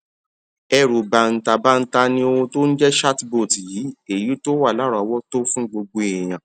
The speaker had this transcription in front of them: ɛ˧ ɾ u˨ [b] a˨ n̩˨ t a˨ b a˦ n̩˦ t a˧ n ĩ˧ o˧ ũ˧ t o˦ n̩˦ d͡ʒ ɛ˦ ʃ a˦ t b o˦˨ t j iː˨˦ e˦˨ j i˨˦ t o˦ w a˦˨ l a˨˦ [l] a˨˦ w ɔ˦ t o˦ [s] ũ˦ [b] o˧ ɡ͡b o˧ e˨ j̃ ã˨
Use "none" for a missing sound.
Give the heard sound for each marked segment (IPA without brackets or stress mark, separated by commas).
b, ɾ, f, ɡ͡b